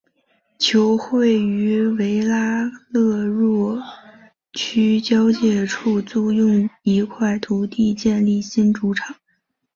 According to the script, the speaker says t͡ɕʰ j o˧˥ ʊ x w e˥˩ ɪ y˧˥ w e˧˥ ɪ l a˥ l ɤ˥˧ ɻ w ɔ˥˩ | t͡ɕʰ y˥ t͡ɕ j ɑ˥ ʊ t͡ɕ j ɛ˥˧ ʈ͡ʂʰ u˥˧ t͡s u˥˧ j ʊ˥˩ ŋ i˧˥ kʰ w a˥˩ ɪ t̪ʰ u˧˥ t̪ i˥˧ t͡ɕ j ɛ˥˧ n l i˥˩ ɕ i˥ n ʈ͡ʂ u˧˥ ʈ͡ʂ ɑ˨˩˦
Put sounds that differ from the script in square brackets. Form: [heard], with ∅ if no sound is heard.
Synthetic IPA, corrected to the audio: t͡ɕʰ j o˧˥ ʊ x w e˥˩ ɪ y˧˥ w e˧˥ ɪ l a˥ l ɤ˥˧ ɻ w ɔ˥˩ | t͡ɕʰ y˥ t͡ɕ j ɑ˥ ʊ t͡ɕ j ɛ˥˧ ʈ͡ʂʰ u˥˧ t͡s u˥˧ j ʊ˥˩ ŋ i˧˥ kʰ w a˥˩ ɪ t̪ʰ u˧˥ t̪ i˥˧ t͡ɕ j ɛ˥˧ n l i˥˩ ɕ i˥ n ʈ͡ʂ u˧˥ [ʈ͡ʂʰ] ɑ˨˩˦